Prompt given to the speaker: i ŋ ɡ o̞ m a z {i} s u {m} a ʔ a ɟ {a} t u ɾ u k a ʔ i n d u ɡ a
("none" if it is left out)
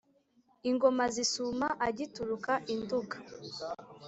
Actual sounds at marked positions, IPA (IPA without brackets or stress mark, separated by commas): i, m, i